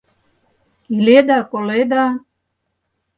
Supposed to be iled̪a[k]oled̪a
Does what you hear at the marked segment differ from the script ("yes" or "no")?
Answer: no